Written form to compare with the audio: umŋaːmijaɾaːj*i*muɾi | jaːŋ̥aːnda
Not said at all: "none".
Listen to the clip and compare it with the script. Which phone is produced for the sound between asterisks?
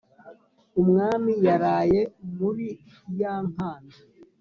e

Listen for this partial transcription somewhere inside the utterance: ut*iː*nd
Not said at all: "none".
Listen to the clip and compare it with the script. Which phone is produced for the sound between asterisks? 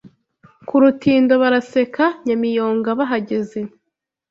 iː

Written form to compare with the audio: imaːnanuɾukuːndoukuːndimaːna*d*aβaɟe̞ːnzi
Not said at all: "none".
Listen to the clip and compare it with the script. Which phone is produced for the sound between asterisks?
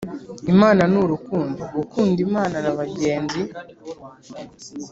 n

